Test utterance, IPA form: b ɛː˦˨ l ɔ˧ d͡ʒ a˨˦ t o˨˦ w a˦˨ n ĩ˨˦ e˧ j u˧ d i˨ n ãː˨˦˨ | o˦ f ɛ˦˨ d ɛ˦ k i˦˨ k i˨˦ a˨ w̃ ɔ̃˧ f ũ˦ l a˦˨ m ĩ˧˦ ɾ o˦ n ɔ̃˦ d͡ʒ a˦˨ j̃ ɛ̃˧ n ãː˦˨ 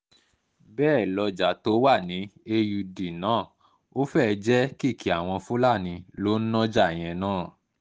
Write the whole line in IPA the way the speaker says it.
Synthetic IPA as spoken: b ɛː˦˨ l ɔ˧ d͡ʒ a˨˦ t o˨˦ w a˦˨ n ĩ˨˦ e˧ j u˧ d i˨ n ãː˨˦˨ | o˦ f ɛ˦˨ d͡ʒ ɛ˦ k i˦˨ k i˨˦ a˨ w̃ ɔ̃˧ f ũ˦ l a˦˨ n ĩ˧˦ l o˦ n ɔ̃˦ d͡ʒ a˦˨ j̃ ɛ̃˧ n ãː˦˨